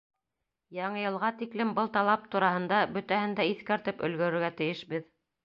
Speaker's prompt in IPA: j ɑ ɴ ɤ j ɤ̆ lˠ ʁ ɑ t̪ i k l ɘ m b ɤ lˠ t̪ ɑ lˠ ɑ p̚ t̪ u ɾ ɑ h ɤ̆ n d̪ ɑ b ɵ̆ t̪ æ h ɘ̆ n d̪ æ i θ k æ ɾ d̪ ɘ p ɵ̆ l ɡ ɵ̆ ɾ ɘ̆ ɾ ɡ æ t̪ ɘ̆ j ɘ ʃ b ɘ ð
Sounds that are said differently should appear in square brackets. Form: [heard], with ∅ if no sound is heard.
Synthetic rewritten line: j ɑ ɴ ɤ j ɤ̆ lˠ ʁ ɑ t̪ i k l ɘ m b ɤ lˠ t̪ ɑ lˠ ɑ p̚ t̪ u ɾ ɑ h ɤ̆ n d̪ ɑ b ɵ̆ t̪ æ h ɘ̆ n d̪ æ i θ k æ ɾ [t̪] ɘ p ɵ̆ l ɡ ɵ̆ ɾ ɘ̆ ɾ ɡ æ t̪ ɘ̆ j ɘ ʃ b ɘ ð